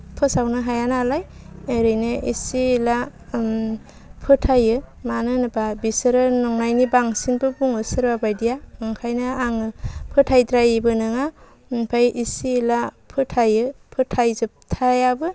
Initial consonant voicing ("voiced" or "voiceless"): voiceless